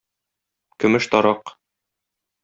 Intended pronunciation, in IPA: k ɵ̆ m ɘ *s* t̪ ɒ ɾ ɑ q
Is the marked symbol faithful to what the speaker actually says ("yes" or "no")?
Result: no